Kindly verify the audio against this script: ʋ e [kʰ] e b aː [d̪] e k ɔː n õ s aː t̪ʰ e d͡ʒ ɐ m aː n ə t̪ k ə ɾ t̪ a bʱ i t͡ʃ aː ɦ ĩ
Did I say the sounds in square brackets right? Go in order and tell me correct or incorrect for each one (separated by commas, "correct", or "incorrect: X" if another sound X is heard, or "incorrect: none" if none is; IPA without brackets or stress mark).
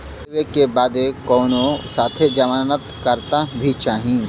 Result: incorrect: k, correct